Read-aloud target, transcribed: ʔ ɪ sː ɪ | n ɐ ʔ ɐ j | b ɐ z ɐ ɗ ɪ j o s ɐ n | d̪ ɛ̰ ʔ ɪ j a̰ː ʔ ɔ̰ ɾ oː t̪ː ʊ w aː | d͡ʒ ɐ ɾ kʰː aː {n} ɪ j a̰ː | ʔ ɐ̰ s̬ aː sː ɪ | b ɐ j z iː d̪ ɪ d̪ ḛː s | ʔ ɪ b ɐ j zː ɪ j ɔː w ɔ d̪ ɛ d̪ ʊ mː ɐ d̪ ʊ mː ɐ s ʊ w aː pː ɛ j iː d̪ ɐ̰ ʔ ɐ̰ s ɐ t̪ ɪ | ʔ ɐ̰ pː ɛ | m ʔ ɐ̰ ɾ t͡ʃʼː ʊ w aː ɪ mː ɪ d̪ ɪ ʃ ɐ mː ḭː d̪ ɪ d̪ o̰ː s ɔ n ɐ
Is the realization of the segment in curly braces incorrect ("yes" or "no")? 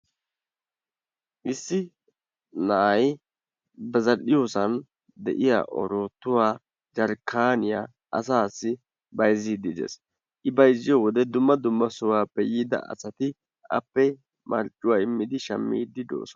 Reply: no